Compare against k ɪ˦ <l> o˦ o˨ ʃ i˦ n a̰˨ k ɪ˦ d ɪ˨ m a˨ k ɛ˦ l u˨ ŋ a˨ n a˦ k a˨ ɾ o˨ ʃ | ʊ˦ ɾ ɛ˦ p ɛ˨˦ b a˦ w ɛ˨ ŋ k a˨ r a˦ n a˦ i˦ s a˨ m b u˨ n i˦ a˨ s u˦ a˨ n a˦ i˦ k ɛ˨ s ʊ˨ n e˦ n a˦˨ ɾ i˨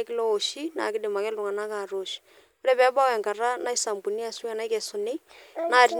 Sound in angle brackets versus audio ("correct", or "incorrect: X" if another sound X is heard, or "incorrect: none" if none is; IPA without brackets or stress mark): correct